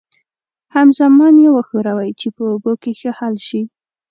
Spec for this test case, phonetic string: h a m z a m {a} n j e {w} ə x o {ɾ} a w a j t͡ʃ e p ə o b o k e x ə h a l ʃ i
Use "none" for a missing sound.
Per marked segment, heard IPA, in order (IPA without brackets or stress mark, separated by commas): ɑ, w, ɾ